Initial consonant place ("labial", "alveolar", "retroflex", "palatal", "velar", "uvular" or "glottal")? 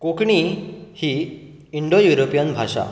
velar